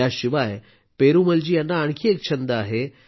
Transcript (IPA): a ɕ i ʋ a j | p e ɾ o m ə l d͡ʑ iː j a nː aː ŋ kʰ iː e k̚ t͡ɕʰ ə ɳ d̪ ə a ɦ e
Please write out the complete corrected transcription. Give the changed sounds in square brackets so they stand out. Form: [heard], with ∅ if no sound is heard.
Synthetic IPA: a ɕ i ʋ a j | p e ɾ [u] m ə l d͡ʑ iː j a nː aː [ɳ] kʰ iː e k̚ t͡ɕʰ ə [n] d̪ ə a ɦ e